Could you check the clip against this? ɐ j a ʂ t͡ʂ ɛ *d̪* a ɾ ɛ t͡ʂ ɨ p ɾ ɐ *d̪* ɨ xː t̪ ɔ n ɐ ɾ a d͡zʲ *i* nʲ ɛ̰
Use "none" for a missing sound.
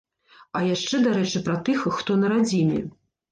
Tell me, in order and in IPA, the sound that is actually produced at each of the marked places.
d̪, t̪, i

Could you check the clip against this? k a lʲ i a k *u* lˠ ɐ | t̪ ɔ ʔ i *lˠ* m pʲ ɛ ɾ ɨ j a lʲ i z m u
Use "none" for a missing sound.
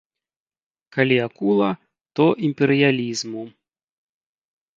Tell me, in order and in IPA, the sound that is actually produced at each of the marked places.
u, none

